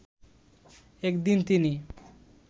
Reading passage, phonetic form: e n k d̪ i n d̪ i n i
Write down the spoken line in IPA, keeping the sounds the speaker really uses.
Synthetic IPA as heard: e k d̪ i n t̪ i n i